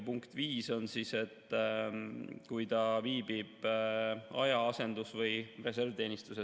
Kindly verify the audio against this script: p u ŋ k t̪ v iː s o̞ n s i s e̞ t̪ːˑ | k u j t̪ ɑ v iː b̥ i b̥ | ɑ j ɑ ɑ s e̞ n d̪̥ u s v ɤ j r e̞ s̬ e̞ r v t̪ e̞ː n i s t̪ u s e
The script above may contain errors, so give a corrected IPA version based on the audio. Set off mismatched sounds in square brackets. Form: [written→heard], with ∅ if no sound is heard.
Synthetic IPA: p u ŋ k t̪ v iː s o̞ n s i s e̞ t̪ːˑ | k u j t̪ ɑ v iː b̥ i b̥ | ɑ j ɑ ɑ s e̞ n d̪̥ u s v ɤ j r e̞ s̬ e̞ r v t̪ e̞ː n i s t̪ u s e